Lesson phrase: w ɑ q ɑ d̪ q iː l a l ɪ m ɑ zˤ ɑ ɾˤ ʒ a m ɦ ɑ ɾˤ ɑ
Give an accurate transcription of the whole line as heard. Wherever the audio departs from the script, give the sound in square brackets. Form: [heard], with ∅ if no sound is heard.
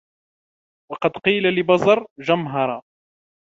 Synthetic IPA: w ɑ q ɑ d̪ q iː l a l ɪ [b] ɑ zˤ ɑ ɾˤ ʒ a m ɦ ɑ ɾˤ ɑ